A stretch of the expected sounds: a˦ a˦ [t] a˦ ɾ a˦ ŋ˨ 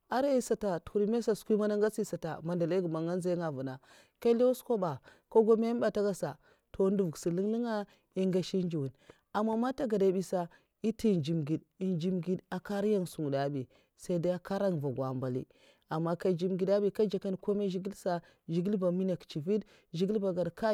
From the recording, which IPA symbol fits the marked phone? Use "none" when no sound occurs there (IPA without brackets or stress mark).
k